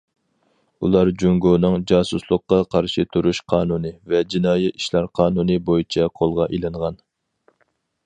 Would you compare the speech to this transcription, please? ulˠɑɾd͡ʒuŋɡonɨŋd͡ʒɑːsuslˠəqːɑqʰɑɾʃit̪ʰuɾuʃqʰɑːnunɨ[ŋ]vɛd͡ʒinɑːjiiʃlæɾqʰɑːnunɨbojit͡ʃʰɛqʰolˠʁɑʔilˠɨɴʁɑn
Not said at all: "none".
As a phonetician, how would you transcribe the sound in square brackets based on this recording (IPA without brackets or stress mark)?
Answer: none